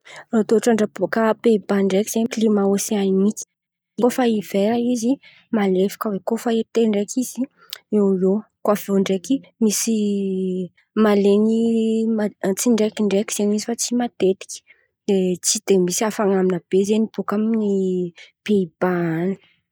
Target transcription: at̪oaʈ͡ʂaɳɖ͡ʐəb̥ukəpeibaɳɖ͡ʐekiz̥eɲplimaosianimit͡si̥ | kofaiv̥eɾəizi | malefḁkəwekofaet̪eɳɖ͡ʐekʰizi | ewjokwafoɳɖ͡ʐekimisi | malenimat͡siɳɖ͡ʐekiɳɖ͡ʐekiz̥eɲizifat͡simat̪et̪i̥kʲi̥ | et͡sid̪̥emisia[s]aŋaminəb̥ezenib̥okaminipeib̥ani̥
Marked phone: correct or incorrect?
incorrect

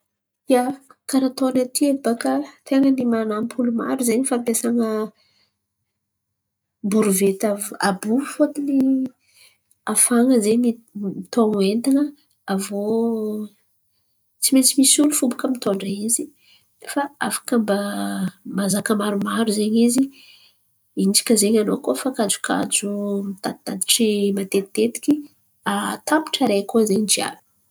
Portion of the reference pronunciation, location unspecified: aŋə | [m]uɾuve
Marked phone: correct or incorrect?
incorrect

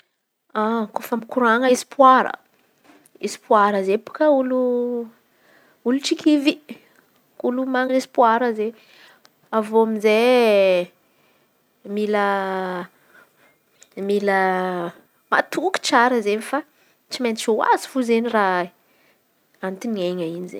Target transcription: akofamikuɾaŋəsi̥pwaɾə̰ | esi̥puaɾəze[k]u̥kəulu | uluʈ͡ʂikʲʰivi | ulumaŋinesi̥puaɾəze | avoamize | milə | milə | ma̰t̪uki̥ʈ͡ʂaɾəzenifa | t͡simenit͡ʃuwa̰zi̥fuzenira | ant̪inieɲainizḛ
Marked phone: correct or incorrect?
incorrect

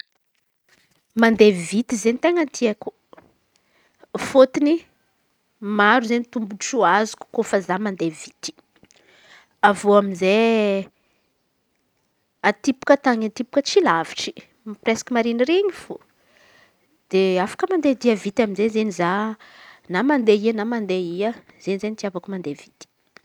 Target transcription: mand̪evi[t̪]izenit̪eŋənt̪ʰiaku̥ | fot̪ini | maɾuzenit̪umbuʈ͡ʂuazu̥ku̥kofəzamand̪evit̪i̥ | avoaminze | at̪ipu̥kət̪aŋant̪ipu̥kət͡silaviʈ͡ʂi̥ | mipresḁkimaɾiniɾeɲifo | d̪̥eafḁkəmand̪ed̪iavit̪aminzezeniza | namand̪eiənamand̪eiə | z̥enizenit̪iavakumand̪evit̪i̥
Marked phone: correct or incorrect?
correct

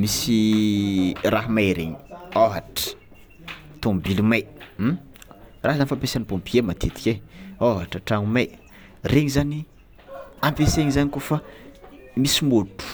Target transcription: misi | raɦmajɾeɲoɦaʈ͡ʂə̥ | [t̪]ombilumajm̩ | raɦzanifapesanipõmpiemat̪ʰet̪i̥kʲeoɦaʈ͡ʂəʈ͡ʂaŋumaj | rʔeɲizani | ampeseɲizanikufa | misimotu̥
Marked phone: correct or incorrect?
correct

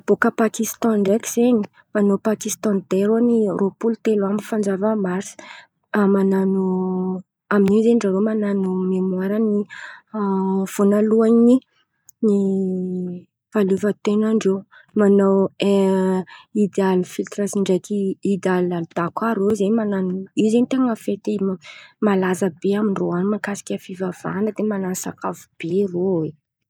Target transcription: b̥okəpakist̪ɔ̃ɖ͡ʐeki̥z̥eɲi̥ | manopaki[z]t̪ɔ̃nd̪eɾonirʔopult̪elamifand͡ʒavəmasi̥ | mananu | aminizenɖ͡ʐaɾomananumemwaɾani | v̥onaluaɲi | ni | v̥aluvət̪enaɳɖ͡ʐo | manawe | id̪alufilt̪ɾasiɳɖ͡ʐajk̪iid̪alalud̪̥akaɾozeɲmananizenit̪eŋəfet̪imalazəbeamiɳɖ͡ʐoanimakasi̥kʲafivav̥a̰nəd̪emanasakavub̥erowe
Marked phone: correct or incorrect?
incorrect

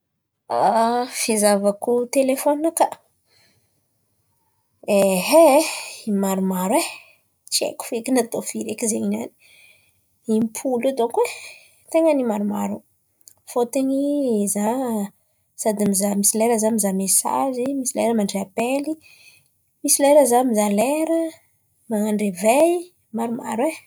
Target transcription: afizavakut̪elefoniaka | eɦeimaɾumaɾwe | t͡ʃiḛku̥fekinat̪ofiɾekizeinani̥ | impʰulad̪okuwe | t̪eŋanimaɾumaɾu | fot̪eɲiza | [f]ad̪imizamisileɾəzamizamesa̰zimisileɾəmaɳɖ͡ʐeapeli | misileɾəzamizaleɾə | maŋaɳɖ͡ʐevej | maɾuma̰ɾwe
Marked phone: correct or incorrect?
incorrect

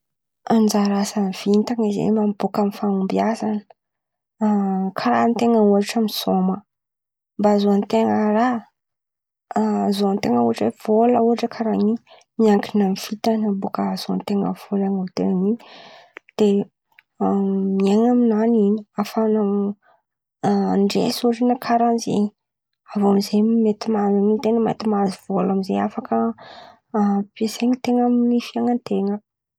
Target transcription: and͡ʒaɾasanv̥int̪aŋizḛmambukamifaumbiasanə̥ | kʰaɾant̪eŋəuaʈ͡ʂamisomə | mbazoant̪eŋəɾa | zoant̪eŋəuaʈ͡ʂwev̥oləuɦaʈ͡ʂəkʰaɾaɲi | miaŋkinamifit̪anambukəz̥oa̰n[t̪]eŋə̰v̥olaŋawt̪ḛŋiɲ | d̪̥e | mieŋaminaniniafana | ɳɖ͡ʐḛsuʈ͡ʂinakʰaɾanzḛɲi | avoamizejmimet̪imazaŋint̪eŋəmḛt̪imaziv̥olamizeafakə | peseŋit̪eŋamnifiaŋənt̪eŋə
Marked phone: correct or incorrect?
correct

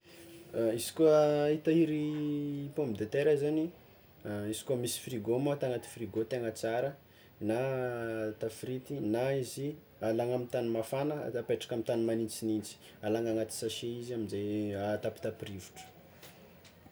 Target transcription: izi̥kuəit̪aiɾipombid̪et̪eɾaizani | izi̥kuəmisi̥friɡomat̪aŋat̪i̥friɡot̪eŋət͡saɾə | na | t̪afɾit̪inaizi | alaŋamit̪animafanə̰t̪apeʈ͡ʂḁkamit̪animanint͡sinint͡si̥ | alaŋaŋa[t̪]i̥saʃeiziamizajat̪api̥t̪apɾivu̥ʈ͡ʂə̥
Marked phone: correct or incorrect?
correct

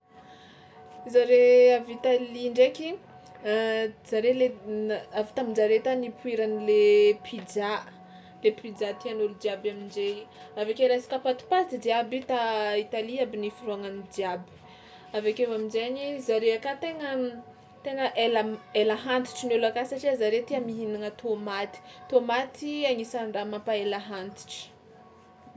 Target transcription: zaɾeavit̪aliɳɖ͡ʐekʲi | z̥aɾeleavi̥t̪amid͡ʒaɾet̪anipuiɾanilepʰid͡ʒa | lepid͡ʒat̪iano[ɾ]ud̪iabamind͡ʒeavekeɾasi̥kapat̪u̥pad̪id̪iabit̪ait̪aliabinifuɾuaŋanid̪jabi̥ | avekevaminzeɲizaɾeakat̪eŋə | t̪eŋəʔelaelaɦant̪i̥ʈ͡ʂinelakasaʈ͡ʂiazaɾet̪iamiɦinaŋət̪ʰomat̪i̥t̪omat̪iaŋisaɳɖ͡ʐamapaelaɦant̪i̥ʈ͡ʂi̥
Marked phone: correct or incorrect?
incorrect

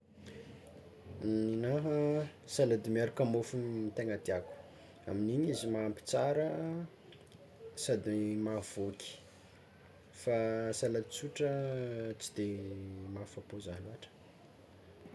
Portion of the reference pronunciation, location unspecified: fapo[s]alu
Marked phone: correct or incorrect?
incorrect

